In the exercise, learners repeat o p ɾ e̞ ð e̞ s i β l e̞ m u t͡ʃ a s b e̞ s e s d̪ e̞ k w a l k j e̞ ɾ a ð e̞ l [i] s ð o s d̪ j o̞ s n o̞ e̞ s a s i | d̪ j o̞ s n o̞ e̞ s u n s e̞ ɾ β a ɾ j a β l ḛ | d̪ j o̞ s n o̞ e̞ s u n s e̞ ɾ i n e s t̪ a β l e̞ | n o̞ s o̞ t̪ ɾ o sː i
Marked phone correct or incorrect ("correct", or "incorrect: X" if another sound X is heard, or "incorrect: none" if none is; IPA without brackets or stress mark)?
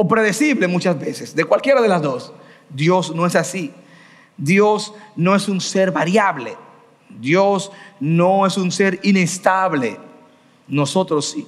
incorrect: a